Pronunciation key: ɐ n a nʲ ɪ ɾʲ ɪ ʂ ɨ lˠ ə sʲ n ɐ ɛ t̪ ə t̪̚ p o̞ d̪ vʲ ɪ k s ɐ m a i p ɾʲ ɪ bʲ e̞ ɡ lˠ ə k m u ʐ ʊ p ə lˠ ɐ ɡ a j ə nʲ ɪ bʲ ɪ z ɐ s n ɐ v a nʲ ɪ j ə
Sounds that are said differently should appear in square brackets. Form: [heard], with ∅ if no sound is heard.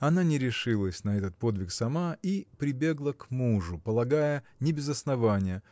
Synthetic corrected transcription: ɐ n a nʲ ɪ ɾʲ ɪ ʂ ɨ lˠ ə sʲ n ɐ ɛ t̪ ə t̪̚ p o̞ d̪ vʲ ɪ k s ɐ m a i p ɾʲ ɪ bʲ e̞ ɡ lˠ ə k m u ʐ ʊ p ə lˠ ɐ ɡ a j ə nʲ ɪ bʲ ɪ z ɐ s n ɐ v a nʲ ɪ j ə